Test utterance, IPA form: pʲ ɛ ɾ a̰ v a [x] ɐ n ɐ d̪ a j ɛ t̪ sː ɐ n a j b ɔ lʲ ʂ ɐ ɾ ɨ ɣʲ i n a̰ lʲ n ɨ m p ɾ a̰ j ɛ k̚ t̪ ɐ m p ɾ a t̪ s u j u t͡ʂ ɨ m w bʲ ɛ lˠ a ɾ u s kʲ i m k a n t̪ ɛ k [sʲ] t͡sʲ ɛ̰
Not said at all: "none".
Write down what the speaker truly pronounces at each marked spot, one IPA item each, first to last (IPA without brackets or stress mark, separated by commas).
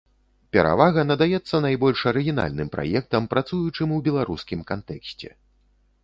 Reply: ɣ, sʲ